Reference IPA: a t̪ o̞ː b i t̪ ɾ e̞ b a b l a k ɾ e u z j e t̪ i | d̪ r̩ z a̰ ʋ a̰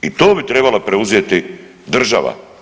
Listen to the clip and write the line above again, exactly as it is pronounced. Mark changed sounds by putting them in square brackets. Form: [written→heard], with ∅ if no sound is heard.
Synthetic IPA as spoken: [a→i] t̪ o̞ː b i t̪ ɾ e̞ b a [b→∅] l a [k→p] ɾ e u z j e t̪ i | d̪ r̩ [z→ʒ] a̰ ʋ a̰

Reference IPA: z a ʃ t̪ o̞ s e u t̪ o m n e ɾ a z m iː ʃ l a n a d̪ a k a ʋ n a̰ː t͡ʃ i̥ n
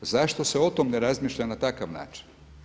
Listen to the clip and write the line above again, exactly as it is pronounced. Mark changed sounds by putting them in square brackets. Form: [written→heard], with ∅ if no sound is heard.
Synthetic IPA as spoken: z a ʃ t̪ o̞ s e [u→o] t̪ o m n e ɾ a z m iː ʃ [l→ʎ] a n a [d̪→t̪] a k a ʋ n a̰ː t͡ʃ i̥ n

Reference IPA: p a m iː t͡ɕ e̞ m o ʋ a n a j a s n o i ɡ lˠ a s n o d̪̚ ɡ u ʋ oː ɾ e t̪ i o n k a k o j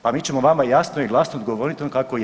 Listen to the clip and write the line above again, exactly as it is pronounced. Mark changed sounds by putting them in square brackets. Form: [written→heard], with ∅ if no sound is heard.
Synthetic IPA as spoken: p a m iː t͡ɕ e̞ m o ʋ a [n→m] a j a s n o i ɡ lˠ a s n o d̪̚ ɡ [u→o] ʋ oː ɾ [e→i] t̪ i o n k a k o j

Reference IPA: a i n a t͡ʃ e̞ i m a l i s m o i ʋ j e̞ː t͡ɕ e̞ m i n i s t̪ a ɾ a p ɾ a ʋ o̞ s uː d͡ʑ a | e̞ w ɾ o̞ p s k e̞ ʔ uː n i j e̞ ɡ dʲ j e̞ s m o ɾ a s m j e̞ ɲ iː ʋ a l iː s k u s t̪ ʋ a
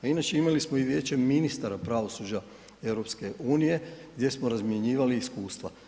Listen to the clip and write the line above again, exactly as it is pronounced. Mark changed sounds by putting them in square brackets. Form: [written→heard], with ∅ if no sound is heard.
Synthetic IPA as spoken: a i n a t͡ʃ e̞ i m a l i s m o i ʋ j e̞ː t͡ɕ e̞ m i n i s t̪ a ɾ a p ɾ a ʋ o̞ s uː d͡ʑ a | e̞ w ɾ o̞ p s k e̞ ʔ uː n i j e̞ ɡ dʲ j e̞ s m o ɾ a [s→z] m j e̞ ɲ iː ʋ a l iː s k [u→uː] s t̪ ʋ a

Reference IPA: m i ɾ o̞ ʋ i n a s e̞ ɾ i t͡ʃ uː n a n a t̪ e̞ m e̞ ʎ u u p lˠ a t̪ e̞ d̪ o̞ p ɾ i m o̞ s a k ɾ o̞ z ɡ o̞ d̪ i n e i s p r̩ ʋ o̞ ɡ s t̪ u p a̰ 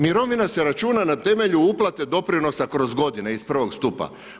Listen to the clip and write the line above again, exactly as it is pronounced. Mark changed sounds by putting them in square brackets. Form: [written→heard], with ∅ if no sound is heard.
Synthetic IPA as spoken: m i ɾ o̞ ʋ i n a s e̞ ɾ [i→a] t͡ʃ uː n a n a t̪ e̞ m e̞ ʎ u u p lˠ a t̪ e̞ d̪ o̞ p ɾ i [m→n] o̞ s a k ɾ o̞ z ɡ o̞ d̪ i n e i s p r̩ ʋ o̞ ɡ s t̪ u p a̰

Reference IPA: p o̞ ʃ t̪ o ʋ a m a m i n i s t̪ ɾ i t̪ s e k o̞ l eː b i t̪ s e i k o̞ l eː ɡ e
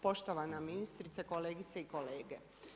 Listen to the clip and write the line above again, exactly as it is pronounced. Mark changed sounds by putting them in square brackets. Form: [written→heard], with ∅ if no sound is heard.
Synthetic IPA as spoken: p o̞ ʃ t̪ o ʋ a [m→n] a m i n i s t̪ ɾ i t̪ s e k o̞ l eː [b→ɡ] i t̪ s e i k o̞ l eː ɡ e

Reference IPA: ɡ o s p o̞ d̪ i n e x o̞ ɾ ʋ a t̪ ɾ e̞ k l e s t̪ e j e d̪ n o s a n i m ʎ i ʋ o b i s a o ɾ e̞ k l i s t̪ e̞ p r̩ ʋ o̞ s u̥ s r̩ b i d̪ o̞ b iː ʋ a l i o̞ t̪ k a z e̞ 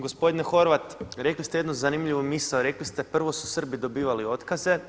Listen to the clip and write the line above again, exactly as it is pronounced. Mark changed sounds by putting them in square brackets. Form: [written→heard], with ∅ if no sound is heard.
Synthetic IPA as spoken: ɡ o s p o̞ d̪ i n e x o̞ ɾ ʋ a t̪ ɾ e̞ k l [e→i] s t̪ e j e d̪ n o [s→z] a n i m ʎ i ʋ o [b→m] i s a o ɾ e̞ k l i s t̪ e̞ p r̩ ʋ o̞ s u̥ s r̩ b i d̪ o̞ b iː ʋ a l i o̞ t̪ k a z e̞

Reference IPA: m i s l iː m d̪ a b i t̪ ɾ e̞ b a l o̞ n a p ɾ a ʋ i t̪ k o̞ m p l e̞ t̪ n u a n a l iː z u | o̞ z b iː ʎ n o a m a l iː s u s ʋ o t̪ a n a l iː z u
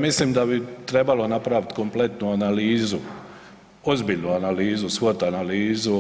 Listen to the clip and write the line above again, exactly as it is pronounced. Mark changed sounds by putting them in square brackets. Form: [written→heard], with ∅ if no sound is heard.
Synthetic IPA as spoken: m i s l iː m d̪ a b i t̪ ɾ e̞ b a l o̞ n a p ɾ a ʋ i t̪ k o̞ m p l e̞ t̪ n u a n a l iː z u | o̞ z b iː ʎ n [o→u] a [m→n] a l iː [s→z] u s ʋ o t̪ a n a l iː z u

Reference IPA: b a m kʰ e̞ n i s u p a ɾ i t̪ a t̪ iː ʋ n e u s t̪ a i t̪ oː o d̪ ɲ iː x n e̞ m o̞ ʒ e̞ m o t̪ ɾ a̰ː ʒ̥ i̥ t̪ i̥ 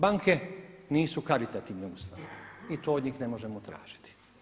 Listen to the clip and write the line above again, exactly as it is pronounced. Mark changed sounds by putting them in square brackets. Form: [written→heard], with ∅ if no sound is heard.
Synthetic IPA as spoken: b a [m→ŋ] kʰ e̞ n [i→iː] s u [p→k] a ɾ i t̪ a t̪ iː ʋ n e u s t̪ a i t̪ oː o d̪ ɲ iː x n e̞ m o̞ ʒ e̞ m o t̪ ɾ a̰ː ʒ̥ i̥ t̪ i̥

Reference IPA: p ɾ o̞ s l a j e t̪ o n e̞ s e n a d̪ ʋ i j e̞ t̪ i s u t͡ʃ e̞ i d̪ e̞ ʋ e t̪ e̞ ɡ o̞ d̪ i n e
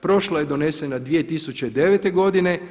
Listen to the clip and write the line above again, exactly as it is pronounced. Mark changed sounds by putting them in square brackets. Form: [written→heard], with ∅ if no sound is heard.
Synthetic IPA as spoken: p ɾ o̞ [s→ʃ] l a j e [t̪→d̪] o n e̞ s e n a d̪ ʋ i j e̞ t̪ i s u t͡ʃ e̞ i d̪ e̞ ʋ e t̪ e̞ ɡ o̞ d̪ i n e

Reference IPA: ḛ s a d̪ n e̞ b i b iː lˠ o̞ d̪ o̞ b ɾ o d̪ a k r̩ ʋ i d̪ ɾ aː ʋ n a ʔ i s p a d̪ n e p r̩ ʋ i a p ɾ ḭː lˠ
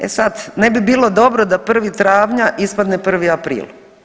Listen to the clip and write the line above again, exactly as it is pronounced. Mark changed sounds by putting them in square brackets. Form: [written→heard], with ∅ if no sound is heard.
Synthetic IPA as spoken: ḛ s a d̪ n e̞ b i b iː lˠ o̞ d̪ o̞ b ɾ o d̪ a [k→p] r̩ ʋ i [d̪→t̪] ɾ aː ʋ [n→ɲ] a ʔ i s p a d̪ n e p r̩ ʋ i a p ɾ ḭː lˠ

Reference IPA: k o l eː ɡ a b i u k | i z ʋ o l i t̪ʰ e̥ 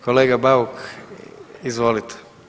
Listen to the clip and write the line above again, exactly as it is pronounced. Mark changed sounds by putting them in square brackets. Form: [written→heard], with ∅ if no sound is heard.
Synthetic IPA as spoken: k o l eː ɡ a b [i→a] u k | i z ʋ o l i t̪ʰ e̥

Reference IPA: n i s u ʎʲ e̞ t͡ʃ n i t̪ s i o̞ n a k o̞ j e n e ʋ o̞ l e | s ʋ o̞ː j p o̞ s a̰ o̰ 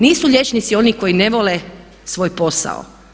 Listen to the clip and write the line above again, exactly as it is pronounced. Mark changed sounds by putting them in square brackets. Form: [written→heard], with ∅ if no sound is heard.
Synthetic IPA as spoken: n [i→iː] s u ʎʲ e̞ t͡ʃ n i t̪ s i o̞ n [a→i] k o̞ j [e→i] n e ʋ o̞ l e | s ʋ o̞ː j p o̞ s a̰ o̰

